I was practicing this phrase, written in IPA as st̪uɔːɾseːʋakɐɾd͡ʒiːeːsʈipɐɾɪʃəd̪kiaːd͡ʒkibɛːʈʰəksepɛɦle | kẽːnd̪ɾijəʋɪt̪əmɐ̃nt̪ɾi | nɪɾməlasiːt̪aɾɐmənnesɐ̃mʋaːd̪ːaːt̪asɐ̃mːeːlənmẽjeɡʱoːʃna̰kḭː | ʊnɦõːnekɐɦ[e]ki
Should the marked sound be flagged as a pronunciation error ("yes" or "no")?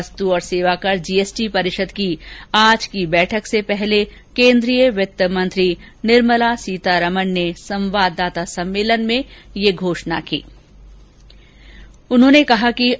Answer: yes